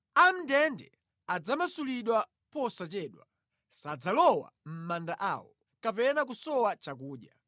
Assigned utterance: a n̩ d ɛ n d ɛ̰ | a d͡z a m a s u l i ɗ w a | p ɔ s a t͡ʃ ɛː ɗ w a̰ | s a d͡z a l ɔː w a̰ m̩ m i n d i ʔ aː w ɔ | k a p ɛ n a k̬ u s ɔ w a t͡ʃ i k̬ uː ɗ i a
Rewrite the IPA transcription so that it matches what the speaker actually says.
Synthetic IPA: a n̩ d ɛ n d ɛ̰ | a d͡z a m a s u l i ɗ w a | p ɔ s a t͡ʃ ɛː ɗ w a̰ | s a d͡z a l ɔ w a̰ m̩ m a n d a ʔ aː w ɔ | k a p ɛ n a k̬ u s ɔ w a t͡ʃ a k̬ uː ɗ j a